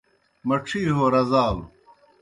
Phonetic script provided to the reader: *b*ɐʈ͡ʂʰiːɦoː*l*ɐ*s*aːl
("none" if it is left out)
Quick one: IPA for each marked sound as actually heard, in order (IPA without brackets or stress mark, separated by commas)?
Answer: m, ɾ, z